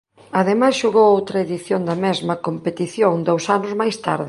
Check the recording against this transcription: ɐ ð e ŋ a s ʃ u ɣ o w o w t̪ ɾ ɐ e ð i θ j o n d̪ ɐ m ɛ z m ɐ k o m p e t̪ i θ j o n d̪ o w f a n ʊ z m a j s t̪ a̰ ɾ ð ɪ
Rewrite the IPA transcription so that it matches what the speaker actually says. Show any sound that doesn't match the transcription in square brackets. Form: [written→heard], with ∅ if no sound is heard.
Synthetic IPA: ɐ ð e [ŋ→m] a s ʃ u ɣ o w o w t̪ ɾ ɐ e ð i θ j o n d̪ ɐ m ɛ z m ɐ k o m p e t̪ i θ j o [n→ŋ] d̪ o w [f→s] a n ʊ z m a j s t̪ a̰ ɾ ð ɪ

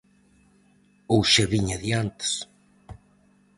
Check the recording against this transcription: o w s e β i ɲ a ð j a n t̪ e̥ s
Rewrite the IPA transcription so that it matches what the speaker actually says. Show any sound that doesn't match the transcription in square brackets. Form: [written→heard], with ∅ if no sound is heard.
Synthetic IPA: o w [s→ʃ] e β i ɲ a ð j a n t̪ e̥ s

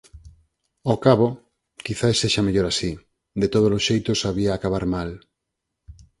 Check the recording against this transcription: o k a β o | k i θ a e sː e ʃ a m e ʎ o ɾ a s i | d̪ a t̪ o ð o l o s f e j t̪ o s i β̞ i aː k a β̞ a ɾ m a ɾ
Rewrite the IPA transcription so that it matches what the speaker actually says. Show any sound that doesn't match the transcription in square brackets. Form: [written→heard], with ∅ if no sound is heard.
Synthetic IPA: o k a β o | k i θ a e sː e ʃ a m e ʎ o ɾ a s i | d̪ [a→e] t̪ o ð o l o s [f→ʃ] e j t̪ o s [i→a] β̞ i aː k a β̞ a ɾ m a [ɾ→l]

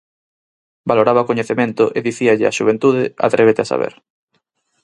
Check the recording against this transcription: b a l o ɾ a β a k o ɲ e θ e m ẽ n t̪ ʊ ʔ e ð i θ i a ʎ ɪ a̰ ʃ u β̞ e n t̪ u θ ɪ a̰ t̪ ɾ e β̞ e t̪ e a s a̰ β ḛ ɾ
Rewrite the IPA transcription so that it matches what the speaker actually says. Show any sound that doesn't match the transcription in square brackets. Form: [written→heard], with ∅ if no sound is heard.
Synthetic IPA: b a l o ɾ a β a k o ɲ e θ e m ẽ n t̪ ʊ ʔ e ð i θ i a ʎ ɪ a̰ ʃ u β̞ e n t̪ u [θ→ð] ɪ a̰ t̪ ɾ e β̞ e t̪ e a s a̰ β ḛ ɾ

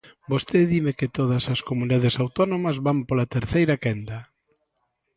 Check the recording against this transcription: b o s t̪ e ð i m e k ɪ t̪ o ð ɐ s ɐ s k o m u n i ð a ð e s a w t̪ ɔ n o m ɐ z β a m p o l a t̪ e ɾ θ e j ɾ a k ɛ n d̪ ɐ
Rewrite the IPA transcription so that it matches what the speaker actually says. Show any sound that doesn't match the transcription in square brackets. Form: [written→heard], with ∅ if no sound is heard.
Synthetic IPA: b o s t̪ e ð i m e k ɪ t̪ o ð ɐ s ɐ s k o m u n i ð a ð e s a w t̪ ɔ n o m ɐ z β a m p o l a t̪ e ɾ θ e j ɾ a k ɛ n d̪ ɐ

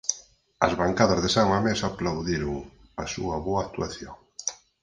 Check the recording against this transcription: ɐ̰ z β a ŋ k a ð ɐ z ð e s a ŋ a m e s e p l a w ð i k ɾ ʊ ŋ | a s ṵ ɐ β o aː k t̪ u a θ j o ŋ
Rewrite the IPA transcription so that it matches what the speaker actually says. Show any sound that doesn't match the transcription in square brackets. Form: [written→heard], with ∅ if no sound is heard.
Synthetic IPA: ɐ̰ z β a ŋ k a ð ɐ z ð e s a ŋ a m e s [e→a] p l a w ð i [k→∅] ɾ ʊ ŋ | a s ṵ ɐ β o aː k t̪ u a θ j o ŋ

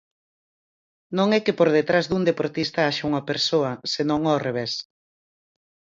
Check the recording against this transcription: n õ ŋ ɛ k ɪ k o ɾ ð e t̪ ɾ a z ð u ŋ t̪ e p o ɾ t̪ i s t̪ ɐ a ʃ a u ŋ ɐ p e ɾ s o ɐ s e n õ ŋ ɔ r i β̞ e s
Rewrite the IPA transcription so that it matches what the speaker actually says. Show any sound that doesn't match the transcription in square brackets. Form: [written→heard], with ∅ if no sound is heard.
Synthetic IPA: n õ ŋ ɛ k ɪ [k→p] o ɾ ð e t̪ ɾ a z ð u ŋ [t̪→d̪] e p o ɾ t̪ i s t̪ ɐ a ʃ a u ŋ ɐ p e ɾ s o ɐ s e n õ ŋ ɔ r [i→e] β̞ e s

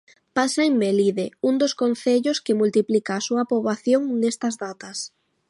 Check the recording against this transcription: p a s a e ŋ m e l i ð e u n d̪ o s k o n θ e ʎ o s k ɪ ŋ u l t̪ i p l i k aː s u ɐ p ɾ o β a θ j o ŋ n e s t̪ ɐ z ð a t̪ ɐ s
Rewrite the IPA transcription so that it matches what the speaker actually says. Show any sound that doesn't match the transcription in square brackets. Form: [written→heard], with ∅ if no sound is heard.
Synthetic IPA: p a s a e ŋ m e l i ð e u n d̪ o s k o n θ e ʎ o s k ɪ [ŋ→m] u l t̪ i p l i k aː s u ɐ p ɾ o β a θ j o ŋ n e s t̪ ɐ z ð a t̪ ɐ s

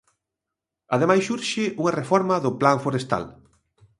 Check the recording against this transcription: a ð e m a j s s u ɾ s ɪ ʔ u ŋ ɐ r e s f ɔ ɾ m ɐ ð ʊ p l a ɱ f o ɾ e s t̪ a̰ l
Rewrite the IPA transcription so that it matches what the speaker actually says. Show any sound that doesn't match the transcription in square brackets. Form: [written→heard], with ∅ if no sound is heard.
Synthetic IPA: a ð e m a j s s u ɾ [s→ʃ] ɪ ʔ u ŋ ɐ r e [s→∅] f ɔ ɾ m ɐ ð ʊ p l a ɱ f o ɾ e s t̪ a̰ l

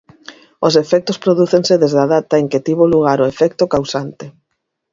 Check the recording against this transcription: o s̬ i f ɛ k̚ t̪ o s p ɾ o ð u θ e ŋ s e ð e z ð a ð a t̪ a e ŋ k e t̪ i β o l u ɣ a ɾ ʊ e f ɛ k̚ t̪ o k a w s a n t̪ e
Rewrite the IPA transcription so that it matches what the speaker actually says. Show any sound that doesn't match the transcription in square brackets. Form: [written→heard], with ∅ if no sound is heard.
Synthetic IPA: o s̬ [i→e] f ɛ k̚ t̪ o s p ɾ o ð u θ e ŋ s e ð e z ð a ð a t̪ a e ŋ k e t̪ i β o l u ɣ a ɾ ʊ e f ɛ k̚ t̪ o k a w s a n t̪ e

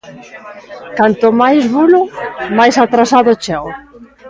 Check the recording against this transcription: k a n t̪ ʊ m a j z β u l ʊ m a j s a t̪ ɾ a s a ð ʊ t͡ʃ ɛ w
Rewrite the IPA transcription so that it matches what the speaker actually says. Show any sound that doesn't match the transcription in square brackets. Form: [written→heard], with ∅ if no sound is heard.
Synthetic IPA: k a n t̪ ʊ m a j z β u l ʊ m a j s a t̪ ɾ a s a ð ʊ t͡ʃ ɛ w

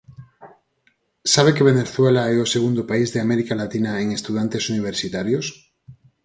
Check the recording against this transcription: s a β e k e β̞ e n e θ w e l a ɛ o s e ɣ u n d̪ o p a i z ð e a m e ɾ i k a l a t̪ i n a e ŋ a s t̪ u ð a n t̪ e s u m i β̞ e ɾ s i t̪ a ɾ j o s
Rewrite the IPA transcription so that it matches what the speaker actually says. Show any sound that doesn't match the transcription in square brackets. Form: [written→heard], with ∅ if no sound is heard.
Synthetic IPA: s a β e k e β̞ e n e θ w e l a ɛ o s e ɣ u n d̪ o p a i z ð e a m e ɾ i k a l a t̪ i n a e ŋ [a→e] s t̪ u ð a n t̪ e s u [m→n] i β̞ e ɾ s i t̪ a ɾ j o s

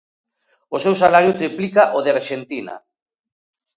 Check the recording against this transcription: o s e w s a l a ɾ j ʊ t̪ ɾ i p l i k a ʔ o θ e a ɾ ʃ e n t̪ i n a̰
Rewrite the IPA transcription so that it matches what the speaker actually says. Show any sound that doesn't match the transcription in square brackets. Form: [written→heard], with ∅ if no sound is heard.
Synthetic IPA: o s e w s a l a ɾ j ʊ t̪ ɾ i p l i k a ʔ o [θ→ð] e a ɾ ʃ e n t̪ i n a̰

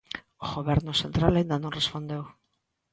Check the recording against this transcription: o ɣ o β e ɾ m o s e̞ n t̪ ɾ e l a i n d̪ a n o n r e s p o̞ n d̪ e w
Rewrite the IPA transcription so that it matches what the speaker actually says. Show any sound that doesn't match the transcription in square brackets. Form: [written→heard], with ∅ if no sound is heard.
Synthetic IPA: o ɣ o β e ɾ [m→n] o s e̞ n t̪ ɾ [e→a] l a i n d̪ a n o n r e s p o̞ n d̪ e w

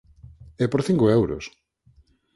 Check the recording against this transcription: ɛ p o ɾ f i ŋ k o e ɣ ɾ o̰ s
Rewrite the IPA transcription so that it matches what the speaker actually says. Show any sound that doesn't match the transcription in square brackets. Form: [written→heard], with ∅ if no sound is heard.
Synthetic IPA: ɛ p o ɾ [f→θ] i ŋ k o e [ɣ→w] ɾ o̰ s

